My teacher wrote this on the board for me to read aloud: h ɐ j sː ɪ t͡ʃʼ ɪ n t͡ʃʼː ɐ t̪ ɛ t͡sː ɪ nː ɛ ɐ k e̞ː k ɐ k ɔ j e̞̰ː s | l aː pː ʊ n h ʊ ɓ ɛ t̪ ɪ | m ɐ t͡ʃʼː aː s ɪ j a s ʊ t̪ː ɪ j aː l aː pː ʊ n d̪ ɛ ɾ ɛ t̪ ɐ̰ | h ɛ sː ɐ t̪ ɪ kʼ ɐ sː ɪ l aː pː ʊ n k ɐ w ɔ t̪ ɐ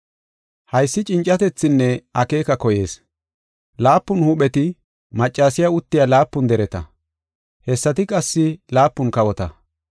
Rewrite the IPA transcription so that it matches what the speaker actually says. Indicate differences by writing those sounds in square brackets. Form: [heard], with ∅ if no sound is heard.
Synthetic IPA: h ɐ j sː ɪ t͡ʃʼ ɪ n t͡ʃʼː ɐ t̪ ɛ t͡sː ɪ nː ɛ ɐ k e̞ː k ɐ k ɔ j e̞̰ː s | l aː pː ʊ n h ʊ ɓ ɛ t̪ ɪ | m ɐ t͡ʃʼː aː s ɪ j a [∅] ʊ t̪ː ɪ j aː l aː pː ʊ n d̪ ɛ ɾ ɛ t̪ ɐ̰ | h ɛ sː ɐ t̪ ɪ kʼ ɐ sː ɪ l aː pː ʊ n k ɐ w ɔ t̪ ɐ